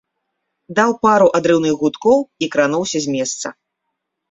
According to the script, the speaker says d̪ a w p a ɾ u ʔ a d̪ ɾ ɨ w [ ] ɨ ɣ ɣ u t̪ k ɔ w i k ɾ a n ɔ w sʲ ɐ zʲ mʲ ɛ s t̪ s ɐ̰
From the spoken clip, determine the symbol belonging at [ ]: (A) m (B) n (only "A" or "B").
B